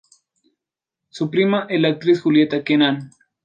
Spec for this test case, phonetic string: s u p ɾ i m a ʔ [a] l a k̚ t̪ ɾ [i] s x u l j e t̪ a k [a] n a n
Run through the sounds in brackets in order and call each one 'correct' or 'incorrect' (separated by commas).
incorrect, correct, incorrect